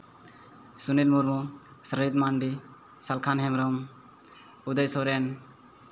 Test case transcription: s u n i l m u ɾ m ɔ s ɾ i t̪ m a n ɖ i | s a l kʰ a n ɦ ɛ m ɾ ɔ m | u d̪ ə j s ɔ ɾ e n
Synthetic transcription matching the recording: s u n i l m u ɾ m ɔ s ɾ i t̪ m a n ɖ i | s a l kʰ a n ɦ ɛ m ɾ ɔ m | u d̪ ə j s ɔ ɾ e n